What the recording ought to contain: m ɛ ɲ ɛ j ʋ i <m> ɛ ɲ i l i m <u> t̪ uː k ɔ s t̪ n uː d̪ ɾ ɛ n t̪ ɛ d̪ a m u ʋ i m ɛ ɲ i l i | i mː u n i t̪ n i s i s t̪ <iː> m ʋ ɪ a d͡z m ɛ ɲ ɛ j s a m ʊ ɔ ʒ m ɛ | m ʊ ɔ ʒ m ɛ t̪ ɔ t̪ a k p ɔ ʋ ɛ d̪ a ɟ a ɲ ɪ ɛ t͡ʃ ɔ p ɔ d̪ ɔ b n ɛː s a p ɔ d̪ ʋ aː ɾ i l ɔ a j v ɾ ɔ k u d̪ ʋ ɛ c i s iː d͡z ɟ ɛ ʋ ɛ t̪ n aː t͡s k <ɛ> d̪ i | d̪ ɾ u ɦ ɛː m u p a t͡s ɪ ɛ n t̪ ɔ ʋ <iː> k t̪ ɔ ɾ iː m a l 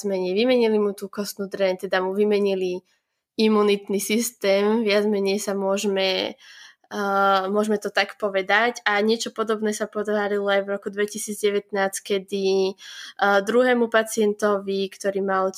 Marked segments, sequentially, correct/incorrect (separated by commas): correct, correct, incorrect, correct, incorrect